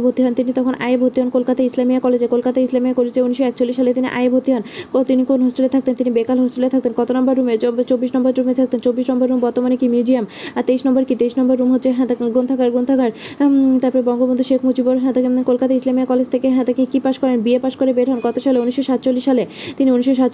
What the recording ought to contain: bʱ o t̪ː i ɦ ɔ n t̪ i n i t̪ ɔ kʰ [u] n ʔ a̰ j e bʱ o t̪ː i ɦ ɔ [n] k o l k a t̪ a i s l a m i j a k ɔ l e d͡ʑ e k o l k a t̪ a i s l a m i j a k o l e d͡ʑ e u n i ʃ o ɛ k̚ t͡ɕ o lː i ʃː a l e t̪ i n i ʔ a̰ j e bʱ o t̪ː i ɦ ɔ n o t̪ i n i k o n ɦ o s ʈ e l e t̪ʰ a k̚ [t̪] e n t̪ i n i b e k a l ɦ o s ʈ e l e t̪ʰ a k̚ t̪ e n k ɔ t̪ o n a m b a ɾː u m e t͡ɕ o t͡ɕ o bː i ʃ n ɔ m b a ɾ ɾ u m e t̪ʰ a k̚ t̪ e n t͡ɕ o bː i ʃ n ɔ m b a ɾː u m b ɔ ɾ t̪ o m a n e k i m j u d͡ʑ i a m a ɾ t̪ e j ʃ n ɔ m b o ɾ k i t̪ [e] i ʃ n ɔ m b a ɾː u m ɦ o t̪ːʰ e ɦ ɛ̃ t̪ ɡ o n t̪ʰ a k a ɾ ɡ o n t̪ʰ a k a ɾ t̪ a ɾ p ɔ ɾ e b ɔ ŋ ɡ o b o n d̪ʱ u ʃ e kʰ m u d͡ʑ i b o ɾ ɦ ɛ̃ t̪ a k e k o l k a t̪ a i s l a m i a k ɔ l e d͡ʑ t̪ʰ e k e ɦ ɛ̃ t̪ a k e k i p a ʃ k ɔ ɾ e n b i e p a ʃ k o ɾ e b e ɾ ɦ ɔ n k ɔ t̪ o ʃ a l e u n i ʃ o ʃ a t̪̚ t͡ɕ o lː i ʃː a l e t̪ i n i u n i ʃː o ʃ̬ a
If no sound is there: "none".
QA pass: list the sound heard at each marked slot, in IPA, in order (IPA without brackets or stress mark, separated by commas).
o, n, t̪, e